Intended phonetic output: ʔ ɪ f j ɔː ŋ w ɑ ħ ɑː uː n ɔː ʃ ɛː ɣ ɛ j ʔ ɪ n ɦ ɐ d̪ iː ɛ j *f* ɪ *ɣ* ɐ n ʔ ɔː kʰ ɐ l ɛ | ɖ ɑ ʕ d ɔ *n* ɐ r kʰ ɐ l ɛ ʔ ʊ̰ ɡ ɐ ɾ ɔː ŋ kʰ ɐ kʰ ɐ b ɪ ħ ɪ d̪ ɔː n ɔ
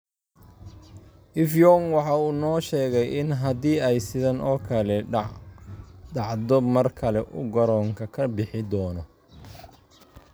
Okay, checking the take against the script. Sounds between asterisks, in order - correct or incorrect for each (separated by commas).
incorrect, incorrect, incorrect